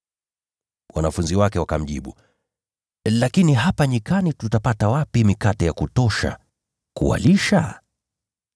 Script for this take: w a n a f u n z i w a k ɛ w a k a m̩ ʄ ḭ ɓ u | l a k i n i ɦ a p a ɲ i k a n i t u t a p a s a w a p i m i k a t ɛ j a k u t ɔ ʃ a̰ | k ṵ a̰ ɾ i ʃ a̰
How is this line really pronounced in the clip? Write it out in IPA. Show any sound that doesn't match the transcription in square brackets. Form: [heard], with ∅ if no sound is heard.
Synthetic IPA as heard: w a n a f u n z i w a k ɛ w a k a m̩ ʄ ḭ ɓ u | l a k i n i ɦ a p a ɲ i k a n i t u t a p a [t] a w a p i m i k a t ɛ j a k u t ɔ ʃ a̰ | k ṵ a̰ [l] i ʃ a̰